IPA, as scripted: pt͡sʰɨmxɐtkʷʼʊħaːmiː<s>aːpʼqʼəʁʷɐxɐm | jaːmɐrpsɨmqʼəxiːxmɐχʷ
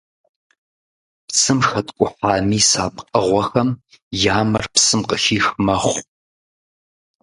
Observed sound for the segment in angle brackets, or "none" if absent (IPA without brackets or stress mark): s